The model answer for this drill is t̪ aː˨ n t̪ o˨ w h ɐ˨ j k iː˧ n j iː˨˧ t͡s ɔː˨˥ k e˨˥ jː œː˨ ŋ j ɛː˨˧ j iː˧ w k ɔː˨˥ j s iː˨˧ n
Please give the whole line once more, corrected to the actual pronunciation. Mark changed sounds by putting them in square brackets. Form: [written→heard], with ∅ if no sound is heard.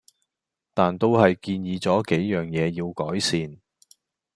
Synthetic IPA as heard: t̪ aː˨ n t̪ [o˨→o˥] w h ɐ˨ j k iː˧ n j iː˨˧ t͡s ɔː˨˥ k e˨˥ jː œː˨ ŋ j ɛː˨˧ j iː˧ w k ɔː˨˥ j s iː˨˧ n